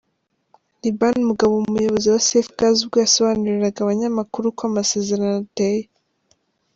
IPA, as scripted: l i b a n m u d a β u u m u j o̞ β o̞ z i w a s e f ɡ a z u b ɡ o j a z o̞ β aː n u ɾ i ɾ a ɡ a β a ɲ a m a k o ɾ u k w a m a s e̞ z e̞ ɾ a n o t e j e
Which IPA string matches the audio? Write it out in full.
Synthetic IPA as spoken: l i b a n m u ɡ a β o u m u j o̞ β o̞ z i w a s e f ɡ a z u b ɡ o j a s o̞ β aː n u ɾ i ɾ a ɡ a β a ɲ a m a k u ɾ u k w a m a s e̞ z e̞ ɾ a n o t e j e